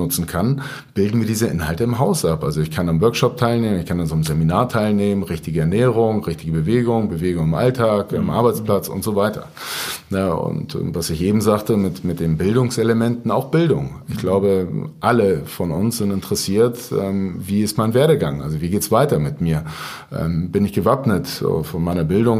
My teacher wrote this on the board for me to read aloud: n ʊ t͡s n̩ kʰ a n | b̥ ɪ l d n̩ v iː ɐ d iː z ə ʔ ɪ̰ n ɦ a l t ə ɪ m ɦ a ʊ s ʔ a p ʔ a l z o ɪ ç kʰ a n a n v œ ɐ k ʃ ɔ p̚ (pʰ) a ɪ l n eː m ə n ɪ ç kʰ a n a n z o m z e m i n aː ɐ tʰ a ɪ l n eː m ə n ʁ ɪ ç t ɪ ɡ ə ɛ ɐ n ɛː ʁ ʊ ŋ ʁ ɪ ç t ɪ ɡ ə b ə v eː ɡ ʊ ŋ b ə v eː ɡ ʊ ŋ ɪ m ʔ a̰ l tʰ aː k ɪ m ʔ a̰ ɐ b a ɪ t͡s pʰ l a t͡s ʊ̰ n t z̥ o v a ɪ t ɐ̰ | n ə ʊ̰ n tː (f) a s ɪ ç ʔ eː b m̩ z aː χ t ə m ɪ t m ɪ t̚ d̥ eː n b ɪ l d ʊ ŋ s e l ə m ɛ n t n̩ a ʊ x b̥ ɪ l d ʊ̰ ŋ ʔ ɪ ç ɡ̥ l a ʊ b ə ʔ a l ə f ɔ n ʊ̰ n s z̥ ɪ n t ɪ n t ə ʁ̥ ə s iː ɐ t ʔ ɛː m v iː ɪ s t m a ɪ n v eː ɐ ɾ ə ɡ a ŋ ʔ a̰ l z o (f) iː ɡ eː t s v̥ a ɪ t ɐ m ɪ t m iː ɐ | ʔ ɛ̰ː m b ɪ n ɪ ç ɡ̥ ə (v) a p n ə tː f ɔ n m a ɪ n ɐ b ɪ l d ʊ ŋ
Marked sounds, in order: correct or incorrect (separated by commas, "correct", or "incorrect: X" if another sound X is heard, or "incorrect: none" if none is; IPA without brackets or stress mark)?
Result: incorrect: tʰ, incorrect: v, incorrect: v, correct